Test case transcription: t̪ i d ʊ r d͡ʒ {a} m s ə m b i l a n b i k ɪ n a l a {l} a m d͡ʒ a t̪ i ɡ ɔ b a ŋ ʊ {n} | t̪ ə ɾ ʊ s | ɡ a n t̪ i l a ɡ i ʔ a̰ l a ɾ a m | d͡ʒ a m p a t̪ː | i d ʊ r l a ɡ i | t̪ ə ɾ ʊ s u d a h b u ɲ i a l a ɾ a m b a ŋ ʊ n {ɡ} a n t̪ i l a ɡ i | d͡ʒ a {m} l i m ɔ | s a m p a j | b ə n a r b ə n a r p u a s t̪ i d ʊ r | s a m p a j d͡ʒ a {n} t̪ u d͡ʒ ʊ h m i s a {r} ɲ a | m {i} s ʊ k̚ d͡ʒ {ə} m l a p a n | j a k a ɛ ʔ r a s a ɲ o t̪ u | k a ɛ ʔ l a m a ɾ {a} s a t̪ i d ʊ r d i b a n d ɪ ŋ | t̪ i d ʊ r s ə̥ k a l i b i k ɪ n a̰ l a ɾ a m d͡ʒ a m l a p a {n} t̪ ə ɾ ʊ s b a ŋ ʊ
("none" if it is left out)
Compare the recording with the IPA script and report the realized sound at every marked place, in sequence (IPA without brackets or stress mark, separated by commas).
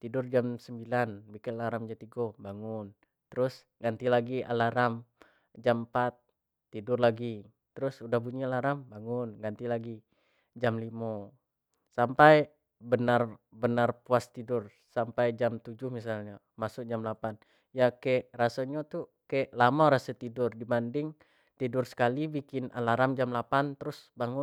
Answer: a, ɾ, n, ɡ, m, m, l, a, a, a, n